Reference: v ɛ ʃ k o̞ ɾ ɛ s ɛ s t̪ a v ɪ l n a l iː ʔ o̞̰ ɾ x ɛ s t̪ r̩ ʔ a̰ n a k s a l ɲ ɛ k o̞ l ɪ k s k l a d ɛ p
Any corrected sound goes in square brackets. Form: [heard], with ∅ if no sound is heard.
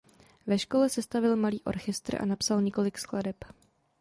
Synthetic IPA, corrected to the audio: v ɛ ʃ k o̞ [l] ɛ s ɛ s t̪ a v ɪ l [m] a l iː ʔ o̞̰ ɾ x ɛ s t̪ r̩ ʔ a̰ n a [p] s a l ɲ ɛ k o̞ l ɪ k s k l a d ɛ p